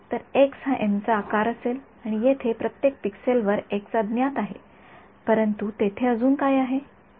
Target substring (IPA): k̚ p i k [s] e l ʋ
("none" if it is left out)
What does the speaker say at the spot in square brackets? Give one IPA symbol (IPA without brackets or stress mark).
s